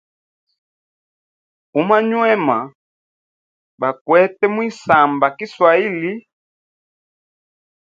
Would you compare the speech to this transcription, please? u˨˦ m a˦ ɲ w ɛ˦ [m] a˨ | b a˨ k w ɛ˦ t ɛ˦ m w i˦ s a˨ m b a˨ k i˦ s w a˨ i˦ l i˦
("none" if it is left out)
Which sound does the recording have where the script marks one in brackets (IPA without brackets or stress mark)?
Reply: m